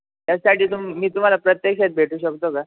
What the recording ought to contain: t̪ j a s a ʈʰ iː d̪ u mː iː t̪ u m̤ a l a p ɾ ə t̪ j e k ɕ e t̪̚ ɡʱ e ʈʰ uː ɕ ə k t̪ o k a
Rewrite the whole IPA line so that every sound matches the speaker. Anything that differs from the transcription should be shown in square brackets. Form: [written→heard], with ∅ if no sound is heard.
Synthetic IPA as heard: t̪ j a s a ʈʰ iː [d̪→t̪] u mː iː t̪ u m̤ a l a p ɾ ə t̪ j e k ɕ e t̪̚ [ɡʱ→bʱ] e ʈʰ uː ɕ ə k t̪ o k a